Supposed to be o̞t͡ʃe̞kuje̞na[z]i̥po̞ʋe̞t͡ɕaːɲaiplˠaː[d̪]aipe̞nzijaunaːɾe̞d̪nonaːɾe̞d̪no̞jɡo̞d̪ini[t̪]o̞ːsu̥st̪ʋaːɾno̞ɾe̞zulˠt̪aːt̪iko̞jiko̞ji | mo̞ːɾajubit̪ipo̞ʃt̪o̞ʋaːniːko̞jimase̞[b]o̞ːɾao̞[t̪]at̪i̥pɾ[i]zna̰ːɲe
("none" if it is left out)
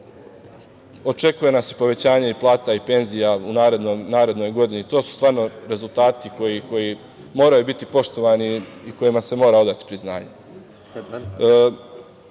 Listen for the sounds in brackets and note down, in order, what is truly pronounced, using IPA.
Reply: s, t̪, t̪, m, d̪, i

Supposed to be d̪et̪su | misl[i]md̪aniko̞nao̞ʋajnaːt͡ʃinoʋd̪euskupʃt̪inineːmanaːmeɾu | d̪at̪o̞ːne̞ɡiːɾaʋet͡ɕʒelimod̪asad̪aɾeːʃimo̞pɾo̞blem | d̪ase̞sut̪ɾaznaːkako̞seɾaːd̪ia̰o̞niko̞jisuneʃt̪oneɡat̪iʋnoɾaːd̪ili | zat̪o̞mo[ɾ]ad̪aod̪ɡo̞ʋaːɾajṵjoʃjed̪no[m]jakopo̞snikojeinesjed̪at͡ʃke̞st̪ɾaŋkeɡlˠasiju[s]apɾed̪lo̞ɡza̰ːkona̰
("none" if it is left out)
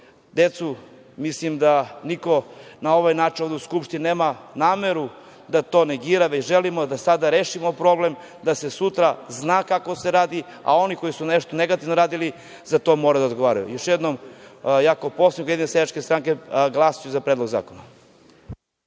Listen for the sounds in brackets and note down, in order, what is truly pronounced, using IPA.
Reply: i, ɾ, m, z

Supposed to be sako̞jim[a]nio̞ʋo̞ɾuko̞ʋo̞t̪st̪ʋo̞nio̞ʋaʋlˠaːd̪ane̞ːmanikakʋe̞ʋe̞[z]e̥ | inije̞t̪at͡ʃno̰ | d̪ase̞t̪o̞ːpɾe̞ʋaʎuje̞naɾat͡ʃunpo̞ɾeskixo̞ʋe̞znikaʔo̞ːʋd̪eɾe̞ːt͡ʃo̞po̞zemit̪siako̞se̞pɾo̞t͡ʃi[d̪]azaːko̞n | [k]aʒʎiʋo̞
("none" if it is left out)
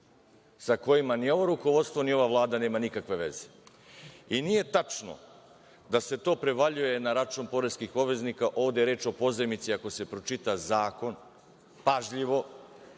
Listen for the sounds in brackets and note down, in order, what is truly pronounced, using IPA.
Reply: a, z, t̪, p

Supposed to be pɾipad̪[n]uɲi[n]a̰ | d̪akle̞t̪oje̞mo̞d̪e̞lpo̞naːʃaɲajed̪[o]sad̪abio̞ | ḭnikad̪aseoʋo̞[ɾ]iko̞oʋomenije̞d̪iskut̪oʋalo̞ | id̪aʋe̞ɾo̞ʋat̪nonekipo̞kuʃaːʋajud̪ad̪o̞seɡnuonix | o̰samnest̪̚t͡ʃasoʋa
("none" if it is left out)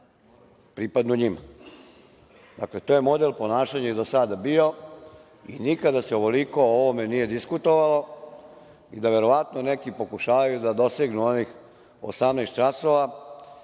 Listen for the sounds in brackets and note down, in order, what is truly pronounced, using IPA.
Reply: n, m, o, l

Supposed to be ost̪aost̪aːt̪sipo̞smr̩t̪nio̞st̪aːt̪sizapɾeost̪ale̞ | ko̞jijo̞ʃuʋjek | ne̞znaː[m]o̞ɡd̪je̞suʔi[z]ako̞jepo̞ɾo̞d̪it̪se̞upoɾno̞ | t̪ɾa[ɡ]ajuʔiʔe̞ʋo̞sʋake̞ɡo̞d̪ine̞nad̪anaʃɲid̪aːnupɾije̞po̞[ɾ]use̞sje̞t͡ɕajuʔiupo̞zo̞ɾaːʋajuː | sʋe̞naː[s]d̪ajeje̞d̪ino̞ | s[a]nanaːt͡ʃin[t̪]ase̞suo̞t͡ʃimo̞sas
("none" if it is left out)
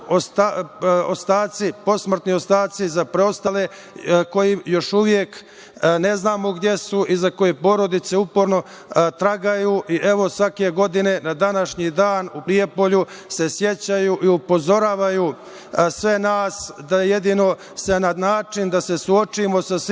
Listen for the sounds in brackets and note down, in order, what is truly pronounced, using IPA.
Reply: m, z, ɡ, ʎ, s, e, d̪

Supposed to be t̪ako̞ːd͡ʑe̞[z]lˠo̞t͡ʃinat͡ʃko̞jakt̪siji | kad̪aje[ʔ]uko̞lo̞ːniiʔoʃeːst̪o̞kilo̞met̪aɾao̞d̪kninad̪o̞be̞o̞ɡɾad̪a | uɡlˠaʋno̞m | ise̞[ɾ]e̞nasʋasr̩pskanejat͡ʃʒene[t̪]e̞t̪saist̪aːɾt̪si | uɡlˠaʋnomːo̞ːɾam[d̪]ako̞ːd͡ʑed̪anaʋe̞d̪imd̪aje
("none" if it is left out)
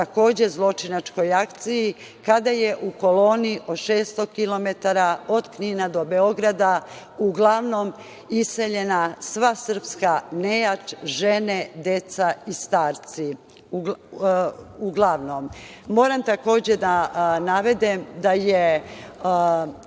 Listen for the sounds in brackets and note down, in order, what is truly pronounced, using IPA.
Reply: z, ʔ, ʎ, d̪, t̪

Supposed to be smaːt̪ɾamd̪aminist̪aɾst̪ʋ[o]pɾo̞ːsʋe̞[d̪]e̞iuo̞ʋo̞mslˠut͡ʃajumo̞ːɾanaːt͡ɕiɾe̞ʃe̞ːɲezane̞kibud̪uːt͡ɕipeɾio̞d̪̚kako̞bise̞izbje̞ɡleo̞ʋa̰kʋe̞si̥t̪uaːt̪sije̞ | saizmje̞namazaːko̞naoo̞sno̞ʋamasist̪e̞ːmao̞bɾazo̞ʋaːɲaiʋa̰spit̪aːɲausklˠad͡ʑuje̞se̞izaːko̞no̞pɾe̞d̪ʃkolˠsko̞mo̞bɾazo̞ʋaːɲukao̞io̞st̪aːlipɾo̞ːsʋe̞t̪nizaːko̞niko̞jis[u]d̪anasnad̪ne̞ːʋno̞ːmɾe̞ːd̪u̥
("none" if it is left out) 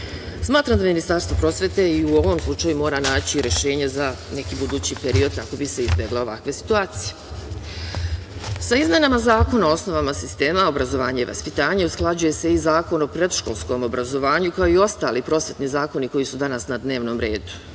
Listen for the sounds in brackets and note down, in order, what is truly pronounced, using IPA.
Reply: o, t̪, u

